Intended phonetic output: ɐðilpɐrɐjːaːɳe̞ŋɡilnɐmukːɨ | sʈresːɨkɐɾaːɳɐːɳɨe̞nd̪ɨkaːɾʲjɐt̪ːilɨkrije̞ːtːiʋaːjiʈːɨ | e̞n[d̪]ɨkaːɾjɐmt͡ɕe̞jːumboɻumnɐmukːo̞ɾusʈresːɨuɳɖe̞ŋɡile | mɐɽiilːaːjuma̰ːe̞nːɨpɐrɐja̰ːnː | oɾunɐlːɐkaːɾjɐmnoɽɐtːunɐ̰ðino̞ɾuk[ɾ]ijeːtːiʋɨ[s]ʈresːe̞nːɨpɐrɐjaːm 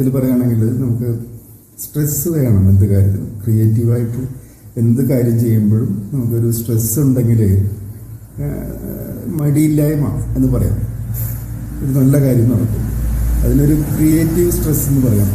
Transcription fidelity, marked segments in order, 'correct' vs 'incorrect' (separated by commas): correct, incorrect, correct